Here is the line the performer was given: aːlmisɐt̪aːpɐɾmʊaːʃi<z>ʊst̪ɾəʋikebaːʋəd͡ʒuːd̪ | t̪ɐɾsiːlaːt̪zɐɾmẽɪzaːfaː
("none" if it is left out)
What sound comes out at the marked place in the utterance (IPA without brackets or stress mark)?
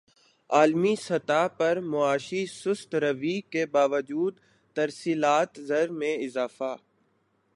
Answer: s